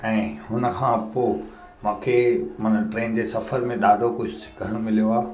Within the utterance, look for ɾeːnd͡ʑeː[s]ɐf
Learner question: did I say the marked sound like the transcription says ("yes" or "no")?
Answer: yes